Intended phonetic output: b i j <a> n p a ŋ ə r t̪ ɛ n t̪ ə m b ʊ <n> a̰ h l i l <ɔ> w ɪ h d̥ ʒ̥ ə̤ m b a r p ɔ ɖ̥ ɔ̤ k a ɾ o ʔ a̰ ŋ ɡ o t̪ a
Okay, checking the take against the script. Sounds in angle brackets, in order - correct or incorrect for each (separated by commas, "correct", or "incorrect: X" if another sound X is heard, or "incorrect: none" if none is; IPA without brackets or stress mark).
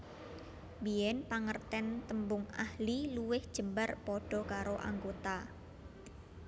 incorrect: ɛ, incorrect: ŋ, incorrect: u